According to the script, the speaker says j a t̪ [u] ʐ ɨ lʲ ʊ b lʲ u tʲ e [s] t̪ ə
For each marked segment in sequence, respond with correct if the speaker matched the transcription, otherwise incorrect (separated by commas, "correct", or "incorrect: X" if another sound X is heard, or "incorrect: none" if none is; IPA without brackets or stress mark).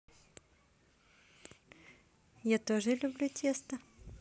incorrect: o, correct